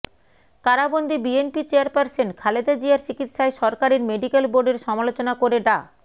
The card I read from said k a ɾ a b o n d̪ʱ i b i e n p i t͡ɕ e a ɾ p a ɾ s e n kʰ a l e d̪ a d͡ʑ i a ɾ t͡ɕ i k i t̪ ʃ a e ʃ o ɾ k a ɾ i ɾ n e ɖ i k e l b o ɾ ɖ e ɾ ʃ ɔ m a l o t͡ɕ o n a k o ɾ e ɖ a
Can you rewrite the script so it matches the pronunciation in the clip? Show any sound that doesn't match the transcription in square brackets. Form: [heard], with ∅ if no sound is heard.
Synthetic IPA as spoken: k a ɾ a b o n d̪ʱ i b i e n p i t͡ɕ e a ɾ p a ɾ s e n kʰ a l e d̪ a d͡ʑ i a ɾ t͡ɕ i k i t̪ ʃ a e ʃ [ɔ] ɾ k a ɾ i ɾ [m] e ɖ i k e l b o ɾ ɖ e ɾ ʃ ɔ m a l o t͡ɕ o n a k o ɾ e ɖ a